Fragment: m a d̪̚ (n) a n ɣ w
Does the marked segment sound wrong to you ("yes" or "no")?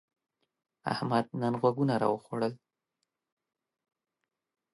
no